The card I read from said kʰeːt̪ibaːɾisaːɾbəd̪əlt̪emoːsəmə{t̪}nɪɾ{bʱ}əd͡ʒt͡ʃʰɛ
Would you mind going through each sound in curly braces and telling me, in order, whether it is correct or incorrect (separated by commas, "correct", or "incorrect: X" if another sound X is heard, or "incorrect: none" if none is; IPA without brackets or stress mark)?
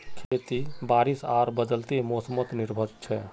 correct, correct